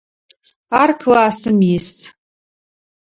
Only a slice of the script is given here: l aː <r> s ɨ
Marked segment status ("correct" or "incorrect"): incorrect